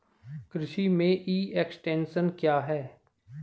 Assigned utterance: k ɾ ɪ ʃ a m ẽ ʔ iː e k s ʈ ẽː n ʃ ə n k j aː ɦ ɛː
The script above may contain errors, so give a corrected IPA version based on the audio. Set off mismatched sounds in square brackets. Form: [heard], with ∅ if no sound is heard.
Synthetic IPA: k ɾ ɪ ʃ [i] m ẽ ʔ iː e k s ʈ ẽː n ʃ ə n k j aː ɦ ɛː